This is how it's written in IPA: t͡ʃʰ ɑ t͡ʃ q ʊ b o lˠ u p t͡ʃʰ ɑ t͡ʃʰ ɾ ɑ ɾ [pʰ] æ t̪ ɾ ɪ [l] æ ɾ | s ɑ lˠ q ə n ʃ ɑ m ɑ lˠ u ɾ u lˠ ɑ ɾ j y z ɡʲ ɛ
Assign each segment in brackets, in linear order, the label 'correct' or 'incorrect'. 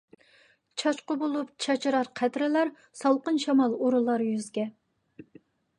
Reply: incorrect, correct

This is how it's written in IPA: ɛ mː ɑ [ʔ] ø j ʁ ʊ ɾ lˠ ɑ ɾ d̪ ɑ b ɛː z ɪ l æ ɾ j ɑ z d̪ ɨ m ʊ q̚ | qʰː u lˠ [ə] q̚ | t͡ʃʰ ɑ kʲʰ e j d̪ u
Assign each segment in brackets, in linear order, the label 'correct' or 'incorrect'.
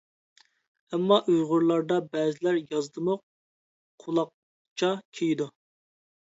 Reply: correct, incorrect

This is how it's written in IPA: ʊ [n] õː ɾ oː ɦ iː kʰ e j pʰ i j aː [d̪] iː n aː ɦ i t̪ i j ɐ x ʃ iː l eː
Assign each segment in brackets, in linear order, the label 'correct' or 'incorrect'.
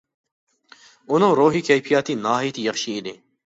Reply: correct, incorrect

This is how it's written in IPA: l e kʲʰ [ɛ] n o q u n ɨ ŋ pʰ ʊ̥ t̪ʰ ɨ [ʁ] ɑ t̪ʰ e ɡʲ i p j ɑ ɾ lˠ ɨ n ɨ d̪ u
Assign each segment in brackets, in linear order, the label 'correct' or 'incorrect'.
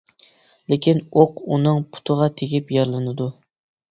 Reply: incorrect, correct

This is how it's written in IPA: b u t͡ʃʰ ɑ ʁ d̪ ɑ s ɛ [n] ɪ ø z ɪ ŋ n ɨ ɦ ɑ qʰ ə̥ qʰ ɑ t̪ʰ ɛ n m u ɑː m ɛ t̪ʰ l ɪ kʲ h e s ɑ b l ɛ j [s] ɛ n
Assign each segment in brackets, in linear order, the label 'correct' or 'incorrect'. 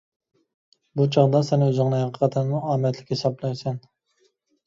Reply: correct, correct

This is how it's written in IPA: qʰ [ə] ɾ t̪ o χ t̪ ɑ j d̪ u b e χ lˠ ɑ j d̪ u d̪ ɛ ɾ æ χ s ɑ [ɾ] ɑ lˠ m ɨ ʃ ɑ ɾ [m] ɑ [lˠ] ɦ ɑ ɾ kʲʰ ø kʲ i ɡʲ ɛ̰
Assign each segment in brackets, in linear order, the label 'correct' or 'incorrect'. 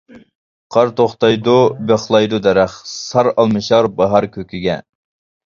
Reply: incorrect, correct, incorrect, incorrect

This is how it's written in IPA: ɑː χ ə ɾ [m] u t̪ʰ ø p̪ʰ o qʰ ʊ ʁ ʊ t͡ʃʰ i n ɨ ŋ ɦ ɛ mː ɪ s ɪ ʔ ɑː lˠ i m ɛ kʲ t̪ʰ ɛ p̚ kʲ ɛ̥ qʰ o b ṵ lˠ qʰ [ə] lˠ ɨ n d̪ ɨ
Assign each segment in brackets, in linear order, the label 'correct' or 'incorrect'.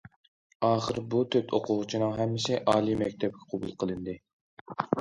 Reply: incorrect, correct

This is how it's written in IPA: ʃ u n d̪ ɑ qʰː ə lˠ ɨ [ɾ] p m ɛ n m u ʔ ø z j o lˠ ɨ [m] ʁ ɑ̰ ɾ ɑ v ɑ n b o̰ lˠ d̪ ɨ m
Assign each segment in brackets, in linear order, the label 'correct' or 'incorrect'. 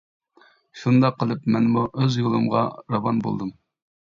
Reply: incorrect, correct

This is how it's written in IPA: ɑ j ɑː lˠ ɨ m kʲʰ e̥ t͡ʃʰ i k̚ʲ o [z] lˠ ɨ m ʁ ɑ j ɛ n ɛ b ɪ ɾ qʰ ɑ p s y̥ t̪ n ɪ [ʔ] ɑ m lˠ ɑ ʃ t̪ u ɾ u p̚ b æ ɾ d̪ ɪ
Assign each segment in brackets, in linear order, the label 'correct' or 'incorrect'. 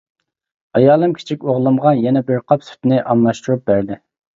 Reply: incorrect, correct

